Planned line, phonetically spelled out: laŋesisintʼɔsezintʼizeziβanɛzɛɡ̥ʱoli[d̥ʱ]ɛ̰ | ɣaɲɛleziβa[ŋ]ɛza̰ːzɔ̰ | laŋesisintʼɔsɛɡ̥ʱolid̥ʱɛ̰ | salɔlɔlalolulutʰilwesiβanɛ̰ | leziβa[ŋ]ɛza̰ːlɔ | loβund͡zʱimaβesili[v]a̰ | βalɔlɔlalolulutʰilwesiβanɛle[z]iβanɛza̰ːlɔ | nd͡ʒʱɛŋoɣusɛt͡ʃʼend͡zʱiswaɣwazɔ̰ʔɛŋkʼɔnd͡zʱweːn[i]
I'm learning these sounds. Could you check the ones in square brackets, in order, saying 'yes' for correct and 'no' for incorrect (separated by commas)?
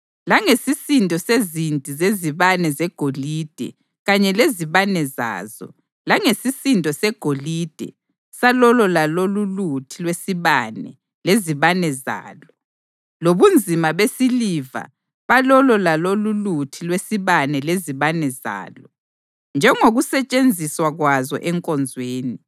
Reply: yes, no, no, yes, yes, yes